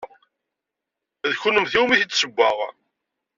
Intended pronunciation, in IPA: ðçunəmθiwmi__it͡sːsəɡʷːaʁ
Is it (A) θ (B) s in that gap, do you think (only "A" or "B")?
A